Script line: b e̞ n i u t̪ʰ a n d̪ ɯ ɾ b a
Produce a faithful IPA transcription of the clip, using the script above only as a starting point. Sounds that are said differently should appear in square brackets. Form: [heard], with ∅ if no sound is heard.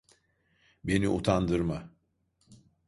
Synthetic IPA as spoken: b e̞ n i u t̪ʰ a n d̪ ɯ ɾ [m] a